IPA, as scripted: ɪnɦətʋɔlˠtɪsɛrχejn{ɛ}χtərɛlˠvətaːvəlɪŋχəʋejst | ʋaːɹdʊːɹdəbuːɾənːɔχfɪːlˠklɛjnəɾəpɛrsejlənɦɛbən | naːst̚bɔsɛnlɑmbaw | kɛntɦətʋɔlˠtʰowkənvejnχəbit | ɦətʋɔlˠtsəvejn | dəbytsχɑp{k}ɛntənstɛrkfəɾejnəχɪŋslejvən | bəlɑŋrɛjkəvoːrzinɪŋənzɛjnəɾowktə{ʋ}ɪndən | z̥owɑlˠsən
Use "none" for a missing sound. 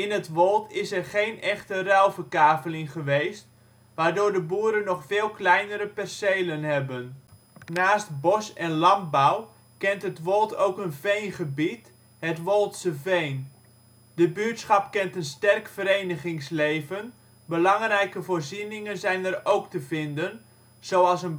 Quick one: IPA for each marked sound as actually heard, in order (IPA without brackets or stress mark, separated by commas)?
ɛ, k, v